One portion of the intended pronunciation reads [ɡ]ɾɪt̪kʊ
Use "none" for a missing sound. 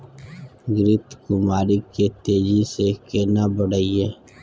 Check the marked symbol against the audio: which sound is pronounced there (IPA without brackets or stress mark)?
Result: ɡ